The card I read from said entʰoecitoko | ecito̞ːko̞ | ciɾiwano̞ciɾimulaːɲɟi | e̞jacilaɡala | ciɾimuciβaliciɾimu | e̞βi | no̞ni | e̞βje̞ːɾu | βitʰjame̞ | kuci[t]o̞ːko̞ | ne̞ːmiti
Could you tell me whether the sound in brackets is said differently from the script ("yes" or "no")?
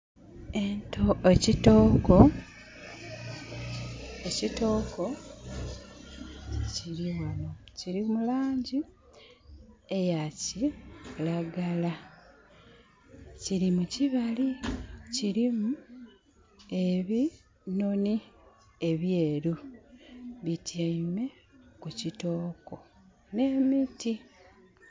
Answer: no